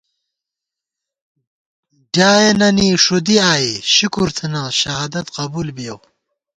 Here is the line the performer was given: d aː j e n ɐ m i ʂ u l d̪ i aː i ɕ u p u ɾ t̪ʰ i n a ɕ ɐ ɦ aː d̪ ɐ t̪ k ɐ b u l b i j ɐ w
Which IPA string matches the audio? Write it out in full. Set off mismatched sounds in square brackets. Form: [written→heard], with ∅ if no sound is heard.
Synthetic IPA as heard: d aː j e n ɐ [m→n] i ʂ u [l→∅] d̪ i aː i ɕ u [p→k] u ɾ t̪ʰ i n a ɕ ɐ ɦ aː d̪ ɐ t̪ [k→q] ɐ b u l b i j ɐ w